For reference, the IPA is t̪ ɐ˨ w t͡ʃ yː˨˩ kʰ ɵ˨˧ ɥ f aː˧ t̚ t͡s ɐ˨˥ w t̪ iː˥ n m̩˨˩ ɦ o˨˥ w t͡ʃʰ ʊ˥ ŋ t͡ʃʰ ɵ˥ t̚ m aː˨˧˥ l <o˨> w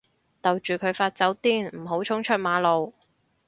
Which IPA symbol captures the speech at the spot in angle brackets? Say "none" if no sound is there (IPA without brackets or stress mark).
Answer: o˨